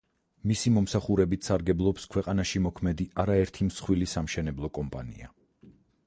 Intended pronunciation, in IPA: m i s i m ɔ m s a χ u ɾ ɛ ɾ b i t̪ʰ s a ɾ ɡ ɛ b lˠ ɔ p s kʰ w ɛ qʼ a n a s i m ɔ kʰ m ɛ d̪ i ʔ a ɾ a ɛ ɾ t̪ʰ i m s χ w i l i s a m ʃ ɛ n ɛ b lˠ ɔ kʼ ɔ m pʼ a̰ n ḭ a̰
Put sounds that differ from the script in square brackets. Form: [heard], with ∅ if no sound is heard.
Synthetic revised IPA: m i s i m ɔ m s a χ u ɾ ɛ [∅] b i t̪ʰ s a ɾ ɡ ɛ b lˠ ɔ p s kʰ w ɛ qʼ a n a [ʃ] i m ɔ kʰ m ɛ d̪ i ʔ a ɾ a ɛ ɾ t̪ʰ i m s χ w i l i s a m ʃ ɛ n ɛ b lˠ ɔ kʼ ɔ m pʼ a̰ n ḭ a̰

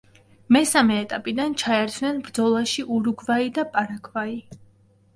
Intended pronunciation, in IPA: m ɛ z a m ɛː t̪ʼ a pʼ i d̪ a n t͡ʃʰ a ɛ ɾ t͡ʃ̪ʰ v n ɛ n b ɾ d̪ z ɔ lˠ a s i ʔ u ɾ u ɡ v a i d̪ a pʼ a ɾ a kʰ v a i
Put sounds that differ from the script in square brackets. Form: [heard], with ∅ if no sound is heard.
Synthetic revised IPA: m ɛ [s] a m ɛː t̪ʼ a pʼ i d̪ a n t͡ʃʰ a ɛ ɾ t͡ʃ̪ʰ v n ɛ n b ɾ d̪ z ɔ lˠ a [ʃ] i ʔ u ɾ u ɡ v a i d̪ a pʼ a ɾ a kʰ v a i

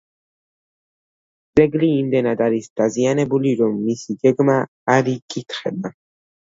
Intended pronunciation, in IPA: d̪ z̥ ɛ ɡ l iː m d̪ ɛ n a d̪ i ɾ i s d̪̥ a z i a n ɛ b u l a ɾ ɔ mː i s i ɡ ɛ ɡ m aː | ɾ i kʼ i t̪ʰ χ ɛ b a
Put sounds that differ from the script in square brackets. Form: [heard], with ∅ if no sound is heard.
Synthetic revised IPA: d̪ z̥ ɛ ɡ l iː m d̪ ɛ n a d̪ [a] ɾ i s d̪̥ a z i a n ɛ b u l [i] ɾ ɔ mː i s i ɡ ɛ ɡ m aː | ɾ i kʼ i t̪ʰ χ ɛ b a

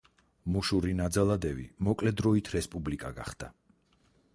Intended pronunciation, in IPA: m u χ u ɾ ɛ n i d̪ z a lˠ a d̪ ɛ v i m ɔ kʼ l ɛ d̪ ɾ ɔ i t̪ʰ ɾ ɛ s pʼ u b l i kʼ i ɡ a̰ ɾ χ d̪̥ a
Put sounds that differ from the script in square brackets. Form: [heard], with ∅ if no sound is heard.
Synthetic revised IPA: m u [ʃ] u ɾ [i] n [a] d̪ z a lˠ a d̪ ɛ v i m ɔ kʼ l ɛ d̪ ɾ ɔ i t̪ʰ ɾ ɛ s pʼ u b l i kʼ [a] ɡ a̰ [∅] χ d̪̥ a

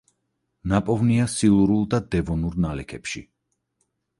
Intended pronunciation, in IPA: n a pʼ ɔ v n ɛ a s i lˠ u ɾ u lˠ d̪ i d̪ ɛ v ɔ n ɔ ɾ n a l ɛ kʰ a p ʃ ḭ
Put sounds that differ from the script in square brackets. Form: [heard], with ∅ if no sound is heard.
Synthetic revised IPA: n a pʼ ɔ v n [i] a s i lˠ u ɾ u lˠ d̪ [a] d̪ ɛ v ɔ n [u] ɾ n a l ɛ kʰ [ɛ] p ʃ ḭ

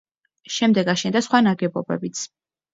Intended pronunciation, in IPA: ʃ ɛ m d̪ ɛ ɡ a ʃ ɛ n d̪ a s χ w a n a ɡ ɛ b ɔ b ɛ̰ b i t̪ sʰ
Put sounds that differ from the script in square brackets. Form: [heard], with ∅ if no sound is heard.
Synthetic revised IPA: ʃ ɛ m d̪ ɛ ɡ a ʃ ɛ n d̪ a s χ w a n a ɡ ɛ b ɔ b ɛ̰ b i t̪ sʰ

